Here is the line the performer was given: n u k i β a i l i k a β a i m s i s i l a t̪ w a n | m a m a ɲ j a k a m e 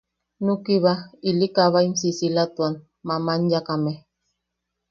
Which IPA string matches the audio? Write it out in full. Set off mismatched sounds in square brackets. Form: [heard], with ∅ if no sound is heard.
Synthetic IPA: n u k i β a i l i k a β a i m s i s i l a t̪ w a n | m a m a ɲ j a k a m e